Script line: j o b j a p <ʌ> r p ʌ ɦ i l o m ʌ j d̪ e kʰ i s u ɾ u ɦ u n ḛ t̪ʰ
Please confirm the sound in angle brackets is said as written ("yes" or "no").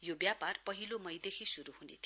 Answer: no